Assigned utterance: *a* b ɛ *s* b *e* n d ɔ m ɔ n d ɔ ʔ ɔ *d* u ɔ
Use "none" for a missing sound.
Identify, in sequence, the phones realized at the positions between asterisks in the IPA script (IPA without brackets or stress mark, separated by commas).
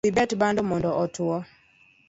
i, t, a, t